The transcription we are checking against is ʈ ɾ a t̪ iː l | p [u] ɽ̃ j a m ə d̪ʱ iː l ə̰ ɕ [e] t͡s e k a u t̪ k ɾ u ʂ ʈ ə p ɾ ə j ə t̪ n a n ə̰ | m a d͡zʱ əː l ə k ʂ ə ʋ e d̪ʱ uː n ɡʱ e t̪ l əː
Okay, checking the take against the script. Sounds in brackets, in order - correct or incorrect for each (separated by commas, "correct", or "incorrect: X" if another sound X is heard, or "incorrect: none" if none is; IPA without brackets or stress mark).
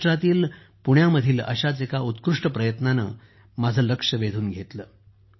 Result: correct, incorrect: a